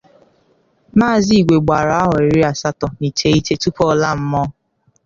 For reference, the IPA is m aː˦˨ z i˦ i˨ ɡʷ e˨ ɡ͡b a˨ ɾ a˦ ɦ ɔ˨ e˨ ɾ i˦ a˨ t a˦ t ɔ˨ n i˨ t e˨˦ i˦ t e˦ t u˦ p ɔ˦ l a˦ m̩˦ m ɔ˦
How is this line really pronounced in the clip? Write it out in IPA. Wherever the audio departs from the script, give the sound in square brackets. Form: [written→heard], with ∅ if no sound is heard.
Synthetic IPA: m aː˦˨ z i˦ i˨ ɡʷ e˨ ɡ͡b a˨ ɾ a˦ ɦ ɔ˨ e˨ ɾ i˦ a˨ [t→s] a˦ t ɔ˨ n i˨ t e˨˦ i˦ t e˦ t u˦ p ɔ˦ l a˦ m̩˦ m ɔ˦

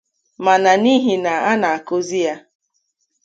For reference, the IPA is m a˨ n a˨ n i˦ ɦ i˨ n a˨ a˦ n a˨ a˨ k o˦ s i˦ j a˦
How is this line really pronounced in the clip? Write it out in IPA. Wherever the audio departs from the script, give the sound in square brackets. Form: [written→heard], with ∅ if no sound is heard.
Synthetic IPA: m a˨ n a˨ n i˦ ɦ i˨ n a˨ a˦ n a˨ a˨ k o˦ [s→z] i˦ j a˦

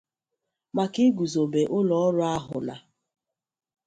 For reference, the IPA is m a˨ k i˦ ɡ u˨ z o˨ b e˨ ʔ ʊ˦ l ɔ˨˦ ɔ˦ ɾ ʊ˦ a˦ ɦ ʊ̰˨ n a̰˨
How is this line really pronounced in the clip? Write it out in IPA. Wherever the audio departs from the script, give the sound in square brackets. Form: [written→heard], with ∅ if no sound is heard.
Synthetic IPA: m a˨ k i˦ ɡ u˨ z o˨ b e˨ ʔ ʊ˦ l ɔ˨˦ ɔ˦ ɾ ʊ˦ a˦ ɦ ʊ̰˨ n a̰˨

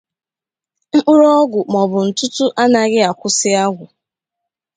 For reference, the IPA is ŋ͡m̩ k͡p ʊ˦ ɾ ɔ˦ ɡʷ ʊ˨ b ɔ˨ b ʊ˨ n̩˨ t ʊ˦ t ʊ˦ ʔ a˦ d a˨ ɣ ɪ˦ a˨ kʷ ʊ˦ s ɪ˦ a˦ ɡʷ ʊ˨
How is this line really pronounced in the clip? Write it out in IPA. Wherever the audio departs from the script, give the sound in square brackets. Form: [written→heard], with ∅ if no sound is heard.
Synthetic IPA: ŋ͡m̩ k͡p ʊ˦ ɾ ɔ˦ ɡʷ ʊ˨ [b→m] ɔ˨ b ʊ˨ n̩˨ t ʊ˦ t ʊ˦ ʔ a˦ [d→n] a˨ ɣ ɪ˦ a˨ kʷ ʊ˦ s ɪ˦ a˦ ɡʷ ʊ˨

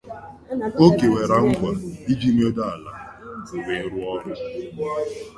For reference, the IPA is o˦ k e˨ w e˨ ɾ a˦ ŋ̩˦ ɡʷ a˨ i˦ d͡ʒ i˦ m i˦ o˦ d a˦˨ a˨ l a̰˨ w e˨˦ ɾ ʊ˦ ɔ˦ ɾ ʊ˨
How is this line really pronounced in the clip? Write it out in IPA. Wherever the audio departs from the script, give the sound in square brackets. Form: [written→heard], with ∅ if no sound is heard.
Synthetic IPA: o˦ k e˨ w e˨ ɾ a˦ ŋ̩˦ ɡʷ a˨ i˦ d͡ʒ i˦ m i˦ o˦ d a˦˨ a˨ l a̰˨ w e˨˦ ɾ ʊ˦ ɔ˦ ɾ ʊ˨

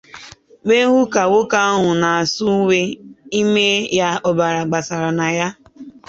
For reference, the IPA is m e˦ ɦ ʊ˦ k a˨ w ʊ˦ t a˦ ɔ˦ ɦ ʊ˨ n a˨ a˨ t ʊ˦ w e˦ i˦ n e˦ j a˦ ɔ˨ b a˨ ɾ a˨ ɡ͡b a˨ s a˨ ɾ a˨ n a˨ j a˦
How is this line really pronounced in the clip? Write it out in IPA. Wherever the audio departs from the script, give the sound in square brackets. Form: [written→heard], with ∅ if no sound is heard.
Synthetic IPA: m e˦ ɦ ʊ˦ k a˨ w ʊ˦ [t→k] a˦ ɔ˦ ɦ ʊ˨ n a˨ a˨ [t→s] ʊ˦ w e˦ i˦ [n→m] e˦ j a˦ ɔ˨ b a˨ ɾ a˨ ɡ͡b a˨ s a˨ ɾ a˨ n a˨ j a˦

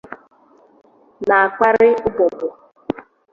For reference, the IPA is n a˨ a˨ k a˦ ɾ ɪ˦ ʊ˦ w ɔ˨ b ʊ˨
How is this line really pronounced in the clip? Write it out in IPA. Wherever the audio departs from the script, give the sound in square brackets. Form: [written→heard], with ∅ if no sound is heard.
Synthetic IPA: n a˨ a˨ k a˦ ɾ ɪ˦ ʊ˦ [w→b] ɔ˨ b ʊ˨

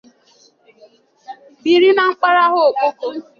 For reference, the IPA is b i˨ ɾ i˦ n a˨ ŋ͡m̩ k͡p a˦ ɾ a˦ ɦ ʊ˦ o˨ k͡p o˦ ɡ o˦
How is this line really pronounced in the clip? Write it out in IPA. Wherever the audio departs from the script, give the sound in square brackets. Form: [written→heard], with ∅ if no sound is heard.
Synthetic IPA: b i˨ ɾ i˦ n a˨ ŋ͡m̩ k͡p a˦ ɾ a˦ ɦ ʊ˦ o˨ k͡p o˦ [ɡ→k] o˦

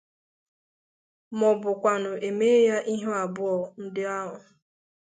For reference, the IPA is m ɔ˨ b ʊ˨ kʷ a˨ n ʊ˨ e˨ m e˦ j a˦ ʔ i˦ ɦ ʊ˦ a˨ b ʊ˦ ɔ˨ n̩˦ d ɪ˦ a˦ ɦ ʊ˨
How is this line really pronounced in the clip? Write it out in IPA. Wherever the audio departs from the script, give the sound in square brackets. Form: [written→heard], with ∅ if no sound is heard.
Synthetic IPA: m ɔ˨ b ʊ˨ kʷ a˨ n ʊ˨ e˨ m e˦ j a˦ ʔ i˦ ɦ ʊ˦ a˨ b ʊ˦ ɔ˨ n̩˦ d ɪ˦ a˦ ɦ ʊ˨

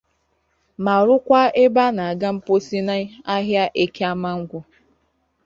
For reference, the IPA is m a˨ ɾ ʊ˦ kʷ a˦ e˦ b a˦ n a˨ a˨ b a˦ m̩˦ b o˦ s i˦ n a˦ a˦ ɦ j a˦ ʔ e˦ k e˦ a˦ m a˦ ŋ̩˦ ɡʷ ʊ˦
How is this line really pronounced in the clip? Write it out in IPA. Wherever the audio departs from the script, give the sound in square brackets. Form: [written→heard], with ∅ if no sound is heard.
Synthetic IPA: m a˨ ɾ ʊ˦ kʷ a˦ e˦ b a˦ n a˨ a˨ [b→ɡ] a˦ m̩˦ [b→p] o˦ s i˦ n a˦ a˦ ɦ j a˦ ʔ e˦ k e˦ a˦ m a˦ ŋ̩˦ ɡʷ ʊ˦

